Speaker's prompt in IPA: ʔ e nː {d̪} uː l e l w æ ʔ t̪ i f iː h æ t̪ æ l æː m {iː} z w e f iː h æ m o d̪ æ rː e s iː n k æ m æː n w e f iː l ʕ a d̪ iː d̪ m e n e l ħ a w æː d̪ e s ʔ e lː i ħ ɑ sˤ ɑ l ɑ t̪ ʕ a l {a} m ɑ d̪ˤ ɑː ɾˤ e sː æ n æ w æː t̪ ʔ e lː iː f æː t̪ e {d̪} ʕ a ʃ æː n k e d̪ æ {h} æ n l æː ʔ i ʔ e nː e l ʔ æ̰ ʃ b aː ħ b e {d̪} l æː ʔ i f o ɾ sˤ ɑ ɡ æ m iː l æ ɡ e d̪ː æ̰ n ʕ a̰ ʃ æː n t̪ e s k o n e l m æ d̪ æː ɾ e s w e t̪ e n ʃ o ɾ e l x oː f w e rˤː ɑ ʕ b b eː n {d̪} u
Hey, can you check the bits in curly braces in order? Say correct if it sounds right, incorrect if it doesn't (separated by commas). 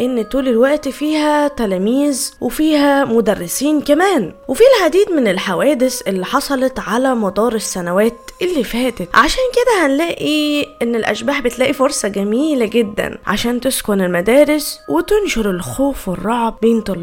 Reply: incorrect, correct, incorrect, incorrect, correct, incorrect, incorrect